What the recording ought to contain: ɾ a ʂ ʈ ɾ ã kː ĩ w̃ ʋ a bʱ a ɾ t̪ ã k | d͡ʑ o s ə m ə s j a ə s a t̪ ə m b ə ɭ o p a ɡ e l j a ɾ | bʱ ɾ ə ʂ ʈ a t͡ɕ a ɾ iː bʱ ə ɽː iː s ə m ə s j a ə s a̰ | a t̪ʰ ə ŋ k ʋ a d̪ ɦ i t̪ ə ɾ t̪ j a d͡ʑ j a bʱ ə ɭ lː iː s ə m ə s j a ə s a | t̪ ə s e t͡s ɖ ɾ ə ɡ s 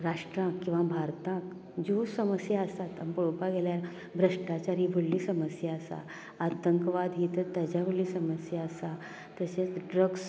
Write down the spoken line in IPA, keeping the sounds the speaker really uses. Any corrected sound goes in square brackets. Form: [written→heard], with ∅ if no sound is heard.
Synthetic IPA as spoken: ɾ a ʂ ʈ ɾ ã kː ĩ w̃ ʋ a bʱ a ɾ t̪ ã k | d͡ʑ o s ə m ə s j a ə s a t̪ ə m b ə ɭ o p a ɡ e l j a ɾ | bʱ ɾ ə ʂ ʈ a t͡ɕ a ɾ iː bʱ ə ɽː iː s ə m ə s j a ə s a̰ | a [t̪ʰ→t̪] ə ŋ k ʋ a d̪ ɦ i t̪ ə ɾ t̪ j a d͡ʑ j a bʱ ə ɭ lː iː s ə m ə s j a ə s a | t̪ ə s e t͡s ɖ ɾ ə ɡ s